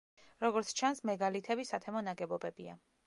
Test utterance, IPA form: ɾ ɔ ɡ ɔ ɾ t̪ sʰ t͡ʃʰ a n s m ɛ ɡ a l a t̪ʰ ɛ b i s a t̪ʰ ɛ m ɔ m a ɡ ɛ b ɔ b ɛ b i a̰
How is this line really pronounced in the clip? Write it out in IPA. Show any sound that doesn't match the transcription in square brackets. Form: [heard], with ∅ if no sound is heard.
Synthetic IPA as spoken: ɾ ɔ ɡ ɔ ɾ t̪ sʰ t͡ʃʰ a n s m ɛ ɡ a l [i] t̪ʰ ɛ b i s a t̪ʰ ɛ m ɔ [n] a ɡ ɛ b ɔ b ɛ b i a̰